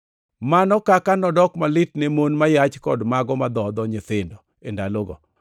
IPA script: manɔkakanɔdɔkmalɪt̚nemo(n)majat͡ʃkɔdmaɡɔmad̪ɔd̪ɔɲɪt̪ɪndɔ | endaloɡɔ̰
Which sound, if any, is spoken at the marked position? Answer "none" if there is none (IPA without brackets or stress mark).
n